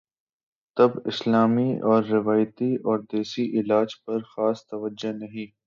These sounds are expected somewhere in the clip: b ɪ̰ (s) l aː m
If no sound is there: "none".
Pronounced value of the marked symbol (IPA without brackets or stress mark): s